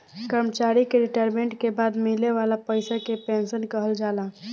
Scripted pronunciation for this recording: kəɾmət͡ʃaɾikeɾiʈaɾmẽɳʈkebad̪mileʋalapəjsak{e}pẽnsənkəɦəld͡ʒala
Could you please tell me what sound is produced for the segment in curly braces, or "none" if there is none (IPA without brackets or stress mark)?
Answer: e